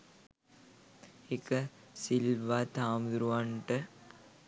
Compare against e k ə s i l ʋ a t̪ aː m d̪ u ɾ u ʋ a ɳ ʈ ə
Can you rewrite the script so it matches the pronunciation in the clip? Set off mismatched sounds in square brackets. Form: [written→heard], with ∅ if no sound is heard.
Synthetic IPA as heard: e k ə s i l ʋ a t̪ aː m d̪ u ɾ u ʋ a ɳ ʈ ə

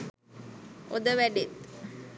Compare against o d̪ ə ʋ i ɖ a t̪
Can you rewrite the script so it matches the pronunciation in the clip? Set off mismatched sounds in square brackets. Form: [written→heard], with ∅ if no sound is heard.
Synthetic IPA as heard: o d̪ ə ʋ [i→æ] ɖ [a→e] t̪

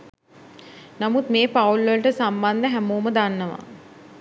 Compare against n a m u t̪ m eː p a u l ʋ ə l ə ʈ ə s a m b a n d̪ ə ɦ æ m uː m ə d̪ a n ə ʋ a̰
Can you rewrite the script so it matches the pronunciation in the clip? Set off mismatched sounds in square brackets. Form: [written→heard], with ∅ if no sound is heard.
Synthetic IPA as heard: n a m u t̪ m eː p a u l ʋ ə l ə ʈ ə s a m b a n d̪ ə ɦ æ m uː m ə d̪ a [n→nː] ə ʋ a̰

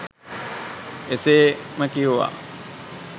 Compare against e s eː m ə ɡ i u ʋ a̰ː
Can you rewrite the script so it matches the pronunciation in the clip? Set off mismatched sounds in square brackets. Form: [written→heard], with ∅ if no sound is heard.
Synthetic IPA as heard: e s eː m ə [ɡ→k] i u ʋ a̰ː

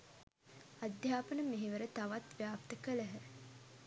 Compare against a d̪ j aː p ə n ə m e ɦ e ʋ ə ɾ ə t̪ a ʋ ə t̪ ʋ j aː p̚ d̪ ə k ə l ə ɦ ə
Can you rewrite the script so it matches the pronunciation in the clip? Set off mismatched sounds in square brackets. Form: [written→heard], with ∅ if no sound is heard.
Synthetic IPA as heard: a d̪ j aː p ə n ə m e ɦ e ʋ ə ɾ ə t̪ a ʋ [ə→a] t̪ ʋ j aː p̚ [d̪→t̪] ə k ə l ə ɦ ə

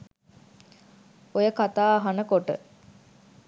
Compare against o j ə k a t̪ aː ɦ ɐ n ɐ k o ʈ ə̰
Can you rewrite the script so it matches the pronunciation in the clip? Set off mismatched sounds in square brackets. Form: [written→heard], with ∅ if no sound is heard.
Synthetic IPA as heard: o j ə k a t̪ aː ɦ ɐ n [ɐ→ə] k o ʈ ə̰

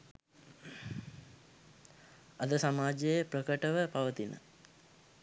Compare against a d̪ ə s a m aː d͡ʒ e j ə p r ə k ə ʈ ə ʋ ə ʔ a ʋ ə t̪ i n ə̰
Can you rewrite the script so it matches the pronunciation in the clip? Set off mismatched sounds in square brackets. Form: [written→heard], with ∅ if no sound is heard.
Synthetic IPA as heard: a d̪ ə s a m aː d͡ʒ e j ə p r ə k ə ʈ ə ʋ ə [ʔ→p] a ʋ ə t̪ i n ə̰

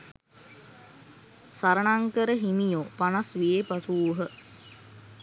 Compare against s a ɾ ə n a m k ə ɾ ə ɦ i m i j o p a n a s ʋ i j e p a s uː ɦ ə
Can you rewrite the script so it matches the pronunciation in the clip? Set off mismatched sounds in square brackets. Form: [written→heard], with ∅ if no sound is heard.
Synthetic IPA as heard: s a ɾ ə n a [m→ŋ] k ə ɾ ə ɦ i m i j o p a n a s ʋ i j e p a s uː ɦ ə

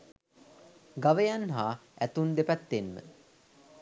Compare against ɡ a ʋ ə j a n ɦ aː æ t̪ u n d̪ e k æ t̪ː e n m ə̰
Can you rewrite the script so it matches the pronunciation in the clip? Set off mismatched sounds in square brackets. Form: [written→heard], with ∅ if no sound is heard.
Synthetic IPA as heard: ɡ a ʋ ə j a n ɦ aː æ t̪ u n d̪ e [k→p] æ t̪ː e n m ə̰

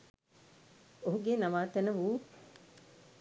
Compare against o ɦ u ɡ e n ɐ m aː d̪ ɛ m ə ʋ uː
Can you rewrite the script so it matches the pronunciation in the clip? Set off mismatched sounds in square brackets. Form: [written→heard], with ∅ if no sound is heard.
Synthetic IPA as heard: o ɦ u ɡ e n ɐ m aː [d̪→t̪] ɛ [m→n] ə ʋ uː

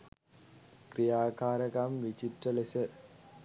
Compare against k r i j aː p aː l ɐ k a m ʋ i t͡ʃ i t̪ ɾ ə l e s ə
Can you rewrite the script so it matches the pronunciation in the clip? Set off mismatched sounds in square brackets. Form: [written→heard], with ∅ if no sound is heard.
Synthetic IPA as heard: k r i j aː [p→k] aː [l→ɾ] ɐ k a m ʋ i t͡ʃ i t̪ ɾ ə l e s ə

